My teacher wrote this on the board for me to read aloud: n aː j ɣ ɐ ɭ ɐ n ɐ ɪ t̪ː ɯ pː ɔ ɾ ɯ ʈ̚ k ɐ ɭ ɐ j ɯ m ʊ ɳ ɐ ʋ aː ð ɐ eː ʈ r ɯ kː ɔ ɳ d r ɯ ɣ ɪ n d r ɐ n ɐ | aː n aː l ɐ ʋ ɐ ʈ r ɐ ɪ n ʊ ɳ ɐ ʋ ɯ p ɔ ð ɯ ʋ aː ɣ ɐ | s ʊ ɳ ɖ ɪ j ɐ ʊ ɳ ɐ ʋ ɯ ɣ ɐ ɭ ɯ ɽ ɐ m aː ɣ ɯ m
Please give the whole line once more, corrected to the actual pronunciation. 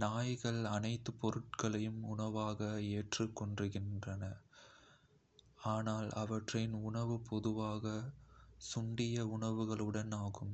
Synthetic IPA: n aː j ɣ ɐ ɭ ɐ n ɐ ɪ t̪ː ɯ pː ɔ ɾ ɯ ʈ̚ k ɐ ɭ ɐ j ɯ m ʊ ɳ ɐ ʋ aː ɣ ɐ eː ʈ r ɯ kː ɔ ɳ d r ɯ ɣ ɪ n d r ɐ n ɐ | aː n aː l ɐ ʋ ɐ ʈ r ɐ ɪ n ʊ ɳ ɐ ʋ ɯ p ɔ ð ɯ ʋ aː ɣ ɐ | s ʊ ɳ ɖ ɪ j ɐ ʊ ɳ ɐ ʋ ɯ ɣ ɐ ɭ ɯ ɽ ɐ n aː ɣ ɯ m